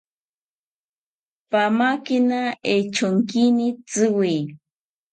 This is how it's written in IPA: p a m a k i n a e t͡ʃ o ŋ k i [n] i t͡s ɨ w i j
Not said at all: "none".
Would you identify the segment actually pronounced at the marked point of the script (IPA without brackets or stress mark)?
n